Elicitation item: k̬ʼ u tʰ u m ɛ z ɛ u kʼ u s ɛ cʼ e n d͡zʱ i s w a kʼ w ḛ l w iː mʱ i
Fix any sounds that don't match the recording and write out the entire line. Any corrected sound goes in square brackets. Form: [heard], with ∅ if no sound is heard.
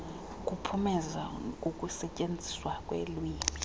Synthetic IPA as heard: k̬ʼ u [pʰ] u m ɛ z [a] u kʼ u s ɛ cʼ e n d͡zʱ i s w a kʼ w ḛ l w iː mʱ i